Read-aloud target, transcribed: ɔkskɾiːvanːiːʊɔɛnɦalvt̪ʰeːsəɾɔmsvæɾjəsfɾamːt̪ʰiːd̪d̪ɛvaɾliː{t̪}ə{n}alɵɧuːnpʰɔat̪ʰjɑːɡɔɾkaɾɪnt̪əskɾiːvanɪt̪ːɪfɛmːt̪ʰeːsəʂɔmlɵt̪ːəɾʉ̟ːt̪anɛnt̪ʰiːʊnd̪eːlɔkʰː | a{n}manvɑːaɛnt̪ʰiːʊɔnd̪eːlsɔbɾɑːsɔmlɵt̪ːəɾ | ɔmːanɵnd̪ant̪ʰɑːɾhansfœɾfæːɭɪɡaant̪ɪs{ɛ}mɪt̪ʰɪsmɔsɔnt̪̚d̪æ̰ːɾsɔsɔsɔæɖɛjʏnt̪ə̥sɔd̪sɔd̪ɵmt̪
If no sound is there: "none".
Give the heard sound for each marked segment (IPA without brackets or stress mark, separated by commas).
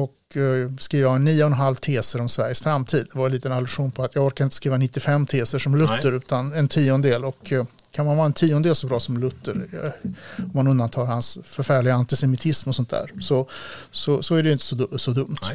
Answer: t̪, n, n, ɛ